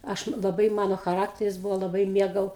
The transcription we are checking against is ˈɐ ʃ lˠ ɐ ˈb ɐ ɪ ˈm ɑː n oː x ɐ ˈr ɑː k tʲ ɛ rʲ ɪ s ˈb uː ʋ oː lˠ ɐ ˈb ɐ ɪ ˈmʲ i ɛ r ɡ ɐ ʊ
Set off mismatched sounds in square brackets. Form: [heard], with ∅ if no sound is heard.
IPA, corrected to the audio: ˈɐ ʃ lˠ ɐ ˈb ɐ ɪ ˈm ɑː n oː x ɐ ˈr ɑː k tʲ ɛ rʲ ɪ s ˈb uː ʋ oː lˠ ɐ ˈb ɐ ɪ ˈmʲ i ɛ [∅] ɡ ɐ ʊ